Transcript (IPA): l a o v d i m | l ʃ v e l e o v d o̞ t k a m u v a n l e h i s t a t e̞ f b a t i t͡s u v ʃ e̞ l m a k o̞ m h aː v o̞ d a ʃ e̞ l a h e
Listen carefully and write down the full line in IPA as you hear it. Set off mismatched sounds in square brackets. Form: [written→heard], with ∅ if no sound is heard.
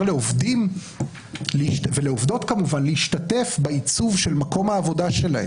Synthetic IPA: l [a→e] o v d i m | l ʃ v e l e o v d o̞ t k a m u v a n l e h i [s→ʃ] t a t e̞ f b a [t→∅] i t͡s u v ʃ e̞ l m a k o̞ m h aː v o̞ d a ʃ e̞ l a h e

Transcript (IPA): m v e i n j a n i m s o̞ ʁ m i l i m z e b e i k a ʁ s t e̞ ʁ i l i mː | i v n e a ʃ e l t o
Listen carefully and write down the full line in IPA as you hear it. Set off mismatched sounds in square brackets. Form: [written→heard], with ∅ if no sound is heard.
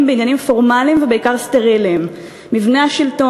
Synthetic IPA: m [v→b] e i n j a n i m [s→f] o̞ ʁ m [i→a] l i m [z→v] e b e i k a ʁ s t e̞ ʁ i l i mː | i v n e a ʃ [e→i] l t o

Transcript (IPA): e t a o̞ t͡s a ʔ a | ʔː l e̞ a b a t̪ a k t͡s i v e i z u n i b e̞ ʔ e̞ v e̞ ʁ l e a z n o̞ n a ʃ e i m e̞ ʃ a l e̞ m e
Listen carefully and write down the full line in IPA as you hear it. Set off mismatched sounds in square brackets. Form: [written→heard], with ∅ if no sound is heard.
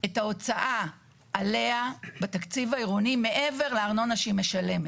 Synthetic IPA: e t a o̞ t͡s a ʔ a | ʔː l e̞ a b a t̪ a k t͡s i v [e→a] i [z→ʁ] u n i [b→m] e̞ ʔ e̞ v e̞ ʁ l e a [z→ʁ] n o̞ n a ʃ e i m e̞ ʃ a l e̞ m e

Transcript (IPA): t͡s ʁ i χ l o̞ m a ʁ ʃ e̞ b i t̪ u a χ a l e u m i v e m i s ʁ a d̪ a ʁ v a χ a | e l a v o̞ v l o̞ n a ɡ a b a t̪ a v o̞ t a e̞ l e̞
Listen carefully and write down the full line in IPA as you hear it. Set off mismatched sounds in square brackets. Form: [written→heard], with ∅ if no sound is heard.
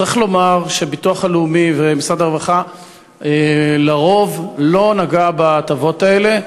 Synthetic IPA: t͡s ʁ i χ l o̞ m a ʁ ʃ e̞ b i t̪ u a χ a l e u m i v e m i s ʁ a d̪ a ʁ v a χ a | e l a [v→ʁ] o̞ v l o̞ n a ɡ a b a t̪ a v o̞ t a e̞ l e̞

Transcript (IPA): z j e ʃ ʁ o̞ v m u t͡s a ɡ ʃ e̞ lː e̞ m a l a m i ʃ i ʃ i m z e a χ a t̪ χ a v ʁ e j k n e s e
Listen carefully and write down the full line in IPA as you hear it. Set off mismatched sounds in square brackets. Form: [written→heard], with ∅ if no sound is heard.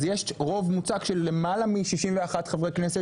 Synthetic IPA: z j e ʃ ʁ o̞ v m u t͡s a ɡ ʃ e̞ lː e̞ m a l a m i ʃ i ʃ i m [z→v] e a χ a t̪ χ a v ʁ e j k n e s e

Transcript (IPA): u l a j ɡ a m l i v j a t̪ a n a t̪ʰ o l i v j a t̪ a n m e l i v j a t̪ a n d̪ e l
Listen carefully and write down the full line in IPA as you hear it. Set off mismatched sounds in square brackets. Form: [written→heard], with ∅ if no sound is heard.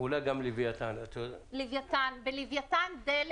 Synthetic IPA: u l a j ɡ a m l i v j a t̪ a n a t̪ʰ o l i v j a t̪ a n [m→b] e l i v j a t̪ a n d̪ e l

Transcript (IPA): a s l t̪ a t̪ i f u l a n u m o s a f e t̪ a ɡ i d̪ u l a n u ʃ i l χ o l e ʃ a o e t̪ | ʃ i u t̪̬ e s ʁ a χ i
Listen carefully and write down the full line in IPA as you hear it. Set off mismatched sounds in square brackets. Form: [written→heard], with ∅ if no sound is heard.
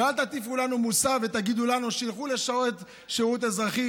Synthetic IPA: a [s→∅] l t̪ a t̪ i f u l a n u m [o→u] s a [f→v] e t̪ a ɡ i d̪ u l a n u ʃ i l χ [o→u] l e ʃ a o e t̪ | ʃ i u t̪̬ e [s→z] ʁ a χ i

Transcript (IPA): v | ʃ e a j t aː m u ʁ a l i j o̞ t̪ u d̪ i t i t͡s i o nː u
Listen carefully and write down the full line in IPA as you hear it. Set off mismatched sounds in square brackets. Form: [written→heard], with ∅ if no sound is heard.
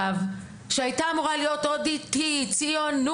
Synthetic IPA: v | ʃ e a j t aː m u ʁ a l i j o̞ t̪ [u→o] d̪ i t i t͡s i o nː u

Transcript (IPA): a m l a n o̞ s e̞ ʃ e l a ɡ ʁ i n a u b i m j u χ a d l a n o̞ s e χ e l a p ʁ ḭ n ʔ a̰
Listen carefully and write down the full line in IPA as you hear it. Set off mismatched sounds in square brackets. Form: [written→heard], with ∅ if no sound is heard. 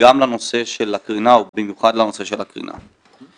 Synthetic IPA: a m l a n o̞ s e̞ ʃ e l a [ɡ→k] ʁ i n a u b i m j u χ a d l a n o̞ s e [χ→ʃ] e l a [p→k] ʁ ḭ n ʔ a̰

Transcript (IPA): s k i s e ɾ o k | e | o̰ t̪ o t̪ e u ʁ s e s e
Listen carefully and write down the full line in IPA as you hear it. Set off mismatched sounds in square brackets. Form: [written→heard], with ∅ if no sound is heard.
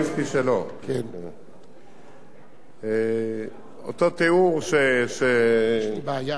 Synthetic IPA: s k i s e [ɾ→l] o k | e | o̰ t̪ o t̪ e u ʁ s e s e

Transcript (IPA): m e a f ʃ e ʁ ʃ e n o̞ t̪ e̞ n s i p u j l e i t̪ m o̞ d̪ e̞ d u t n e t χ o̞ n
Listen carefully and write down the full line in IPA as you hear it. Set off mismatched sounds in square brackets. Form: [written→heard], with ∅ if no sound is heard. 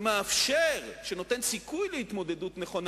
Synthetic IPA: m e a f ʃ e ʁ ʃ e n o̞ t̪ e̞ n s i [p→k] u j l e i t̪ m o̞ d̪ e̞ d u t n e [t→∅] χ o̞ n

